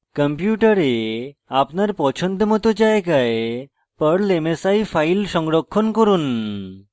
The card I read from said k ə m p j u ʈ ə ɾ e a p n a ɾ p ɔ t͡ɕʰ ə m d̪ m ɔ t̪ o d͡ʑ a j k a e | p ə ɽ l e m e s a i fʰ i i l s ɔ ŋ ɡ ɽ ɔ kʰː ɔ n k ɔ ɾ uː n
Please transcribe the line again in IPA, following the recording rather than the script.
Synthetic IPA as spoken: k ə m p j u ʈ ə ɾ e a p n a ɾ p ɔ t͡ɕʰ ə n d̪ m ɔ t̪ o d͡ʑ a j k a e | p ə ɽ l e m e s a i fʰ a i l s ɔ ŋ ɡ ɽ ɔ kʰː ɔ n k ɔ ɾ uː n